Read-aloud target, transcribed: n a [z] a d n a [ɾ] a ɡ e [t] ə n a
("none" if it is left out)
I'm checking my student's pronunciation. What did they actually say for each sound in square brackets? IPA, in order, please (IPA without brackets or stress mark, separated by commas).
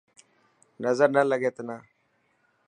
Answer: z, l, t